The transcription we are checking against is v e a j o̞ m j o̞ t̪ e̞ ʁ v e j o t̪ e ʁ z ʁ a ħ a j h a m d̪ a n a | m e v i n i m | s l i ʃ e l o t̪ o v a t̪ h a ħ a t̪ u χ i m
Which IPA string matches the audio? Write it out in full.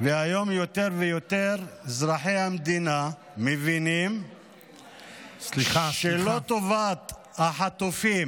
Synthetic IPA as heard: v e a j o̞ m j o̞ t̪ e̞ ʁ v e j o t̪ e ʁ z ʁ a ħ e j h a m d̪ i n a | m e v i n i m | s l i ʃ e l o t̪ o v a t̪ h a ħ a t̪ u f i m